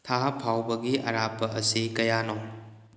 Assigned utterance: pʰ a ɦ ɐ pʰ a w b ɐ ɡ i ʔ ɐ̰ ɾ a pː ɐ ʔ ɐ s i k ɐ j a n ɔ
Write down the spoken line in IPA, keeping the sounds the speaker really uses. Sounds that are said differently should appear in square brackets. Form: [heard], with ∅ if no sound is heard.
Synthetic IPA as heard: [tʰ] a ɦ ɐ pʰ a w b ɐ ɡ i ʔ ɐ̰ ɾ a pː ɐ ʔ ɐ s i k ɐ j a n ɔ